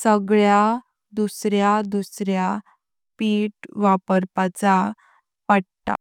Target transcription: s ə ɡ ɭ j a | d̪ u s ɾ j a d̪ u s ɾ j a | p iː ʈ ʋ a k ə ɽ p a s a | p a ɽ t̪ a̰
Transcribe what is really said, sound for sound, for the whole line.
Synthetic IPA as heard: s ə ɡ ɭ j a | d̪ u s ɾ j a d̪ u s ɾ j a | p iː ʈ ʋ a p ə ɾ p a t͡s a | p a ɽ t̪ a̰